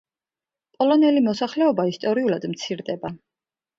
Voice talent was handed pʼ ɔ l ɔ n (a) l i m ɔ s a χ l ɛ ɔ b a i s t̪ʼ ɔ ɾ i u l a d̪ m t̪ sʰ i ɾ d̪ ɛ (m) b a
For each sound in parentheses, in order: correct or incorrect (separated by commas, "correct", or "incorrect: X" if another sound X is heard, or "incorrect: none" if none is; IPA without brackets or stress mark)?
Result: incorrect: ɛ, incorrect: none